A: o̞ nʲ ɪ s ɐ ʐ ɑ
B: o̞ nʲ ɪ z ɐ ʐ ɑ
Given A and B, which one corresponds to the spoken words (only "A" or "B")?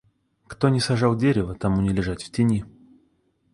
A